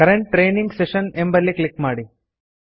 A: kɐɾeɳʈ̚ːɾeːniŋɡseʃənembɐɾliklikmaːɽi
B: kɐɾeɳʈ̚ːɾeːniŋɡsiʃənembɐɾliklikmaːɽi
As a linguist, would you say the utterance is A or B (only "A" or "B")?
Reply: A